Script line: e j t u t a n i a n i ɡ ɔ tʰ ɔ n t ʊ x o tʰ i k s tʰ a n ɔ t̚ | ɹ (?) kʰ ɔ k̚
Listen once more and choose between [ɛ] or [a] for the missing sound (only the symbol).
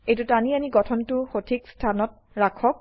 a